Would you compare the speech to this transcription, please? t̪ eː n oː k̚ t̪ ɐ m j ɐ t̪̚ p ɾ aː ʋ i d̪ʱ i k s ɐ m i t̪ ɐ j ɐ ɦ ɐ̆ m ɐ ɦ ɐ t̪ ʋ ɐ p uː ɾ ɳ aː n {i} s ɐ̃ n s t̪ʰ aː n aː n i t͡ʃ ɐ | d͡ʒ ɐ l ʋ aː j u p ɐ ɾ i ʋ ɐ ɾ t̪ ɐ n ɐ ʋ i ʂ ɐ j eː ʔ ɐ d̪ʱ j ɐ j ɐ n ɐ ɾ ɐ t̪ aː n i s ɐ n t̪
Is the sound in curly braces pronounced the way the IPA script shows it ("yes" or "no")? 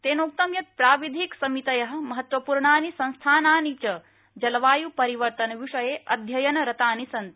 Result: yes